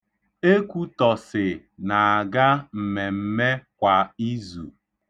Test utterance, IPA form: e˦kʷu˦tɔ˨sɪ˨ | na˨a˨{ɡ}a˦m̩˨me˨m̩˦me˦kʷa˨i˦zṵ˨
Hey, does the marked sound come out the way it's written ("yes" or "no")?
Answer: yes